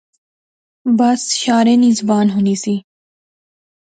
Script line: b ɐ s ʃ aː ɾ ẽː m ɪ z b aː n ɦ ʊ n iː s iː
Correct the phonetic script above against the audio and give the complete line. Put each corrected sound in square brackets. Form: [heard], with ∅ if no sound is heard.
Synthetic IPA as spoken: b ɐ s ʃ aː ɾ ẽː [n] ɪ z b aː n ɦ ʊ n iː s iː